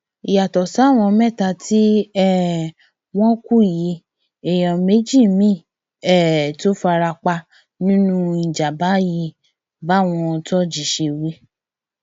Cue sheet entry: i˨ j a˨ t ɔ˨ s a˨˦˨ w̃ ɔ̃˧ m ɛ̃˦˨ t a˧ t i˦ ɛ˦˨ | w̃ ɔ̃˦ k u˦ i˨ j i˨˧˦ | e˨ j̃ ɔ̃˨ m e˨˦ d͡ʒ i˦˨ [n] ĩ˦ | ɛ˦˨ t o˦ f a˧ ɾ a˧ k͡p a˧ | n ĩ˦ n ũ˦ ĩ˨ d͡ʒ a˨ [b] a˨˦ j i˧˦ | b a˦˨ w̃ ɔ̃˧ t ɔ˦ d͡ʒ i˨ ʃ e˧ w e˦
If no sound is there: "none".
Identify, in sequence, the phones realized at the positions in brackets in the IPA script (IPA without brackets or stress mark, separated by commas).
m, b